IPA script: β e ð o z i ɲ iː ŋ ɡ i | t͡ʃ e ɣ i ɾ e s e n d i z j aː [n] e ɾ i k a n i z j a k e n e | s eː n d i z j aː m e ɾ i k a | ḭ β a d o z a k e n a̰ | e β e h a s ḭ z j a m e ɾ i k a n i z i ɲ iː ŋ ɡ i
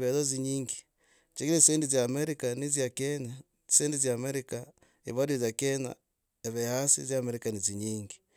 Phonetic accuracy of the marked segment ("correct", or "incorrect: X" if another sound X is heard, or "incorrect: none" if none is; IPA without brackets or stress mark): incorrect: m